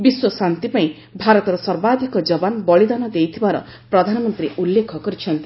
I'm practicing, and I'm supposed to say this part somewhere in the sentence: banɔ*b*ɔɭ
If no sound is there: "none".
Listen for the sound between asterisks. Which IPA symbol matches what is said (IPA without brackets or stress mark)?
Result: b